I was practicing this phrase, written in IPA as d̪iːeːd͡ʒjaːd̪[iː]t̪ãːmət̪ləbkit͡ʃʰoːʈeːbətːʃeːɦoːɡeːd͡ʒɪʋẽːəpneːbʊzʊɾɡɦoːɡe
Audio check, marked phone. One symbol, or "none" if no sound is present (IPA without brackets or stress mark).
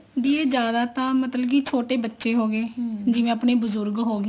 aː